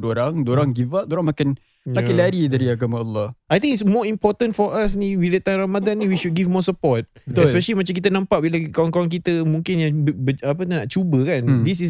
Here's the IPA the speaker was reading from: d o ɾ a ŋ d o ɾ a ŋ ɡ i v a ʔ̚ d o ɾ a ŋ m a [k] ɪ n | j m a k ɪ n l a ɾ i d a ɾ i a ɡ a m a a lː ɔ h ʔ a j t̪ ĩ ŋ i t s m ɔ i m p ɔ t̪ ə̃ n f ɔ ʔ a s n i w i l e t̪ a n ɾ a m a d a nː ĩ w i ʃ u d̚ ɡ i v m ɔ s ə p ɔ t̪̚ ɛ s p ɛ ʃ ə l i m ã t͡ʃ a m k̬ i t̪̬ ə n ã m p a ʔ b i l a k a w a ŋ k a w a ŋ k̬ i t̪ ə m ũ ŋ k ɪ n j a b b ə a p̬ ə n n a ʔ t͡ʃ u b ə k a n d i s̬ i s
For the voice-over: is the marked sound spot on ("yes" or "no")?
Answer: yes